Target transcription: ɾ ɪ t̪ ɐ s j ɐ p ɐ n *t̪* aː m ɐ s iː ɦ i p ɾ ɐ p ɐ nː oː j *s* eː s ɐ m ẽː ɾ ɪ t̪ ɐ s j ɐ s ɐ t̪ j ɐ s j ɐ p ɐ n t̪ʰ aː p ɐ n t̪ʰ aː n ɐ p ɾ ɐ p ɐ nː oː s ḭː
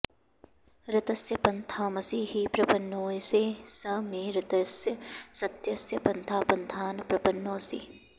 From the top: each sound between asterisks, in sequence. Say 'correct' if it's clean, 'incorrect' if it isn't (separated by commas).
incorrect, correct